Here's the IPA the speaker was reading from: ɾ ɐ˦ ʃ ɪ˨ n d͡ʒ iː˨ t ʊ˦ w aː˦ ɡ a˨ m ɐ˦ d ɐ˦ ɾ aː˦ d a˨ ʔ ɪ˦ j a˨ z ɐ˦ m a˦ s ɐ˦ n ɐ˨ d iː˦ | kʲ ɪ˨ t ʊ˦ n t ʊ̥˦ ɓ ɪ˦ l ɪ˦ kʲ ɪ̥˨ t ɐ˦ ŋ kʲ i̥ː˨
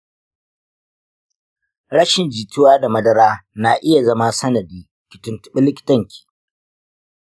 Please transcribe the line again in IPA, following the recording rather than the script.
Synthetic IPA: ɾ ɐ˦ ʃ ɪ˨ n d͡ʒ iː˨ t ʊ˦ w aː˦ d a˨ m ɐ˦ d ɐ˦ ɾ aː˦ n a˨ ʔ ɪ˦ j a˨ z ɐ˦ m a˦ s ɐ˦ n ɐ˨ d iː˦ | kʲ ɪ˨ t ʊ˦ n t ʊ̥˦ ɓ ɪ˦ l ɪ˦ kʲ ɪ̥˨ t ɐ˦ ŋ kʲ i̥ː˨